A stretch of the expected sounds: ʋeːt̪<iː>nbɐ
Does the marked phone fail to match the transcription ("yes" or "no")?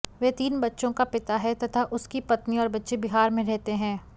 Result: no